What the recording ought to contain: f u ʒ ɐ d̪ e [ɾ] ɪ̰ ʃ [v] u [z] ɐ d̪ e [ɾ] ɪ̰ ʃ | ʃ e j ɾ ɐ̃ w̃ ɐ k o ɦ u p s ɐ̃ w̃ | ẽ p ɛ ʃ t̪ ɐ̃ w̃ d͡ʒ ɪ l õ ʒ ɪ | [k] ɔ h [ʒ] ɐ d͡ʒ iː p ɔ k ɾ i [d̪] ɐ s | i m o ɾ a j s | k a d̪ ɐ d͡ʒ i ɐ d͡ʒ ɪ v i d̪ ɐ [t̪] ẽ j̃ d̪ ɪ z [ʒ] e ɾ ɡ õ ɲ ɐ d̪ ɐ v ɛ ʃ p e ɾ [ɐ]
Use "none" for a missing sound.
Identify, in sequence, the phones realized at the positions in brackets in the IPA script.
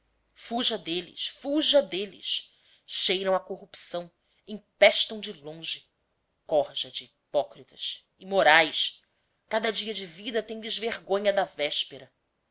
l, f, ʒ, l, k, ʒ, t̪, t̪, v, ɐ

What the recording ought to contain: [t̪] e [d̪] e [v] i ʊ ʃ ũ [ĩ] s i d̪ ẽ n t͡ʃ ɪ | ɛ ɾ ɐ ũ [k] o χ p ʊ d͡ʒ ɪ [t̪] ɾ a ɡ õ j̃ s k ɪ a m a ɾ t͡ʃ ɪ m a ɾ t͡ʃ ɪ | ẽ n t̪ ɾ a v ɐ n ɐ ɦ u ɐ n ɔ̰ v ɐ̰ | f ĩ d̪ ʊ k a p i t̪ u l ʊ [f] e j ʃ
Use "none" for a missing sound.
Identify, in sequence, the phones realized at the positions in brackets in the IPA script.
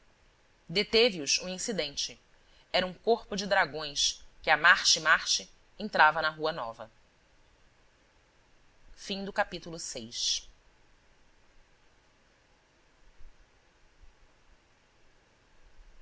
d̪, t̪, v, ĩ, k, d̪, s

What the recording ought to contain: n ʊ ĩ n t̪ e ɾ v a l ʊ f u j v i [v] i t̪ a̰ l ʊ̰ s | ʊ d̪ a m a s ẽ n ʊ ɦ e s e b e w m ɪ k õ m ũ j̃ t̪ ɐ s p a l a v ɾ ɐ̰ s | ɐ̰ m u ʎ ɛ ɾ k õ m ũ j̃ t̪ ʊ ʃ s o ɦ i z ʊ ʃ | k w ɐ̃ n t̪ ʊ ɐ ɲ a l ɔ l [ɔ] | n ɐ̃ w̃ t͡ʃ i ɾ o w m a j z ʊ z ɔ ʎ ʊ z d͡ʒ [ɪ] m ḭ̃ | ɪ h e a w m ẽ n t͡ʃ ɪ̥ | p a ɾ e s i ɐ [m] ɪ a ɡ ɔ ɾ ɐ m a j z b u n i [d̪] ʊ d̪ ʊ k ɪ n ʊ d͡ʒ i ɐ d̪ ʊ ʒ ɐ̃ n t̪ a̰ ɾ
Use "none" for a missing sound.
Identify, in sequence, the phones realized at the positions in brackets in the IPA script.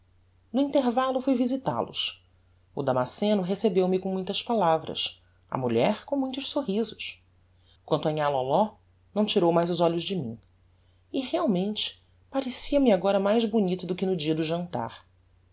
z, ɔ, ɪ, m, t̪

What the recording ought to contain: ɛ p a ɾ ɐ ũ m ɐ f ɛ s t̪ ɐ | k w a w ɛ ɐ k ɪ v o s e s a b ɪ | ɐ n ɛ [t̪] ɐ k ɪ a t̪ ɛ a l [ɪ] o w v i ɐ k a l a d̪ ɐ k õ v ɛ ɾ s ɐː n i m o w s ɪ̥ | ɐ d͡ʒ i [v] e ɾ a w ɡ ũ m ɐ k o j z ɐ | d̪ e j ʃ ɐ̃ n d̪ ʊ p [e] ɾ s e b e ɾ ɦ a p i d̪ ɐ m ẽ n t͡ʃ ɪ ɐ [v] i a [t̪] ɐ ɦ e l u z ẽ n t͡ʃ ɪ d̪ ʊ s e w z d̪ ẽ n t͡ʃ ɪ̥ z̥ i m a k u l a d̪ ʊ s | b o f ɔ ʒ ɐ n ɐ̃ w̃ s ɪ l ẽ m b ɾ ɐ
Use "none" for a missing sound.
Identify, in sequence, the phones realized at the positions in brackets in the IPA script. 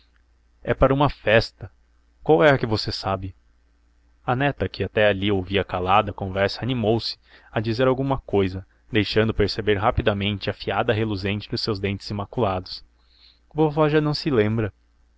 t̪, i, z, e, f, d̪

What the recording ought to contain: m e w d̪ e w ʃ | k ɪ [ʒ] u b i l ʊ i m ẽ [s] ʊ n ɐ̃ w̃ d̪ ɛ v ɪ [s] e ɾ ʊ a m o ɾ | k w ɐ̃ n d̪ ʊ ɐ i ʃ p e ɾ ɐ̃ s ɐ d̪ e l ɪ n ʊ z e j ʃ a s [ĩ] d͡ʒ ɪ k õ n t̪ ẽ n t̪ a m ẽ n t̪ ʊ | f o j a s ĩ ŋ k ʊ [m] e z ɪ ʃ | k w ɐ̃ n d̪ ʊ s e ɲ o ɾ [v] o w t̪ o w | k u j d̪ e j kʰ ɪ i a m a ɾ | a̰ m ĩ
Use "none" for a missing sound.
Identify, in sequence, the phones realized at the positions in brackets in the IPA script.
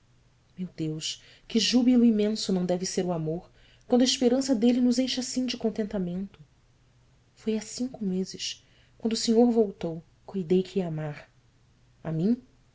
ʒ, s, s, ĩ, m, v

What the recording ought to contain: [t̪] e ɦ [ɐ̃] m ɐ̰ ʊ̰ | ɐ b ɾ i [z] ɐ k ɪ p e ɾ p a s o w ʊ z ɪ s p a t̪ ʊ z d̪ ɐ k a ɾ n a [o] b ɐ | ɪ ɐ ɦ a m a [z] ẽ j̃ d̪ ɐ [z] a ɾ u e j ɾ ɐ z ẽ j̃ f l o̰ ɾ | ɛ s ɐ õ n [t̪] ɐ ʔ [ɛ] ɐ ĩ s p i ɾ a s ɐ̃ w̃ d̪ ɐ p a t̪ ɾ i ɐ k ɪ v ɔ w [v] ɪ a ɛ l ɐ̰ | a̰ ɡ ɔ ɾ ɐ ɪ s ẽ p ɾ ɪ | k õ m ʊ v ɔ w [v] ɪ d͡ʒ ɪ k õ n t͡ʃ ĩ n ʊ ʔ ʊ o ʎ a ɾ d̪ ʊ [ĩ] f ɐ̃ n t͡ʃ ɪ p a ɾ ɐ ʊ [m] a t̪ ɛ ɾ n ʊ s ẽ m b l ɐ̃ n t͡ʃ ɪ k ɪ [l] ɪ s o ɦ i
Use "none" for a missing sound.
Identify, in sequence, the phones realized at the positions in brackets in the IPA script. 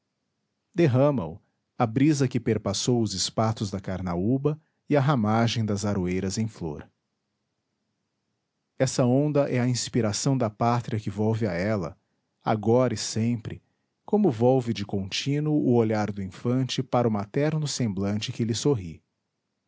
d̪, ɐ̃, z, u, ʒ, z, d̪, ɛ, v, v, ĩ, m, l

